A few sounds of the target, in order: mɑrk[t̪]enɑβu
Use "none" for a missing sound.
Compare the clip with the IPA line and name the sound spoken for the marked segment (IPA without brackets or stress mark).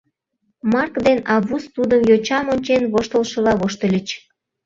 d̪